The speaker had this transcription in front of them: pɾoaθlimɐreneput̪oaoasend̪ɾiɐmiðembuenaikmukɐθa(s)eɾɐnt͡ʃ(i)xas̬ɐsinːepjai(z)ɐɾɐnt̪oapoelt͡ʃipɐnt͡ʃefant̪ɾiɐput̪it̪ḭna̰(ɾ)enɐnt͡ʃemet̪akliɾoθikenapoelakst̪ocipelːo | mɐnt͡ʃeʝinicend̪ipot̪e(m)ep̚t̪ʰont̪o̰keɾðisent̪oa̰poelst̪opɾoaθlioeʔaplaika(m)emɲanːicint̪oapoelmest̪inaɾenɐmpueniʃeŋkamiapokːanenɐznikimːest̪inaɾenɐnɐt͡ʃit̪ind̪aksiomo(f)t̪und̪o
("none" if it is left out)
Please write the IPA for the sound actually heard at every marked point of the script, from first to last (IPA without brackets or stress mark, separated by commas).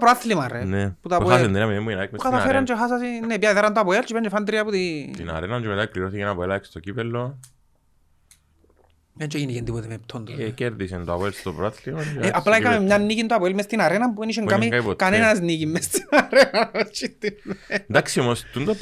f, e, ð, ɾ, m, m, s